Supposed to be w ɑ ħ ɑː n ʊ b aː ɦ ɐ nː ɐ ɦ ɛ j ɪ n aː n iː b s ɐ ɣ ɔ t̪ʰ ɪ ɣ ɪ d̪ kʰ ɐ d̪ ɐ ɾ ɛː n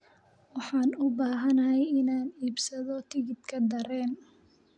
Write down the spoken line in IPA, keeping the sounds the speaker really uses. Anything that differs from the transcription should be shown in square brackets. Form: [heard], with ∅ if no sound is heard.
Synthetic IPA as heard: w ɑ ħ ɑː n ʊ b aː ɦ ɐ [n] ɐ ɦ ɛ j ɪ n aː n iː b s ɐ [ð] ɔ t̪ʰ ɪ ɣ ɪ d̪ kʰ ɐ d̪ ɐ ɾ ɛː n